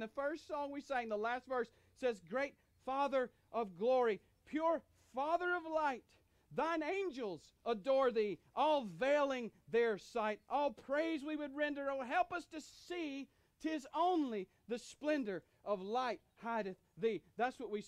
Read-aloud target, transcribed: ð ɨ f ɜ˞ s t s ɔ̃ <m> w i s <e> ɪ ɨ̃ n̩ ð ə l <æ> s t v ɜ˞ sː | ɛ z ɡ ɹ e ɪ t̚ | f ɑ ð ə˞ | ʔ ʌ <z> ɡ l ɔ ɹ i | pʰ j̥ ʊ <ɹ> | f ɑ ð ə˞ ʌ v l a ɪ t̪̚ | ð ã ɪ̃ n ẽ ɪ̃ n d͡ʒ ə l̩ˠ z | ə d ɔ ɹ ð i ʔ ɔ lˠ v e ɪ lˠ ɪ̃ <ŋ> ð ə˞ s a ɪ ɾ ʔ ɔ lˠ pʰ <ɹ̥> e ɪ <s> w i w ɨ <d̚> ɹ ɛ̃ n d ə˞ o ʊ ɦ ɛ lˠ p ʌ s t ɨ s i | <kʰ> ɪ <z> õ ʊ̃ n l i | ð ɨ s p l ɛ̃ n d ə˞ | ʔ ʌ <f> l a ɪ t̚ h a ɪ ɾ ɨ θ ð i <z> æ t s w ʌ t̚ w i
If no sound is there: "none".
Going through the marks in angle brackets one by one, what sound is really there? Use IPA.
ŋ, e, æ, v, ɹ, ŋ, ɹ̥, z, d̚, tʰ, z, v, ð

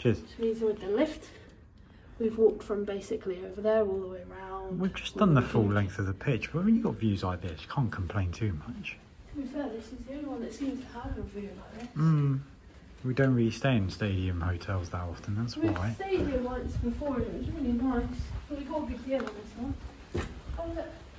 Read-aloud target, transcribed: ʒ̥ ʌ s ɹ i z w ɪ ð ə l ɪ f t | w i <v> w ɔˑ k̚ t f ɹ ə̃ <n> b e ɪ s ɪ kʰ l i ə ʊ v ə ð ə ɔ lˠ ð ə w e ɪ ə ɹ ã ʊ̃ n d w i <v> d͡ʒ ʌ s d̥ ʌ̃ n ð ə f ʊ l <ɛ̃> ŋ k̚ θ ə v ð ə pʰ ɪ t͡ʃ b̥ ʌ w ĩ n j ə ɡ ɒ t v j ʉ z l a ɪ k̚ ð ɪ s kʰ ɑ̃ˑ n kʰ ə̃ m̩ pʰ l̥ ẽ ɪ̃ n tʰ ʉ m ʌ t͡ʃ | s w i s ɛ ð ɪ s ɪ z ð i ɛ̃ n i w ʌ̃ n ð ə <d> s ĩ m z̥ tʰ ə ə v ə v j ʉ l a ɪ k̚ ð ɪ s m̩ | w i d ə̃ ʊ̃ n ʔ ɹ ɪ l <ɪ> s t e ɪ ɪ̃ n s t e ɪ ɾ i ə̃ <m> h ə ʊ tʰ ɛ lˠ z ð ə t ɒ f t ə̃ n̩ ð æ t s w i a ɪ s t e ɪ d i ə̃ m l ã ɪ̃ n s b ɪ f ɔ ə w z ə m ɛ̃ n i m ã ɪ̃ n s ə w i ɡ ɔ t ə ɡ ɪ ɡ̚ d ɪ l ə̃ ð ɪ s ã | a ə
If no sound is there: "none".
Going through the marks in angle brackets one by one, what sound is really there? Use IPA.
v, m, v, ɛ̃, t, i, m

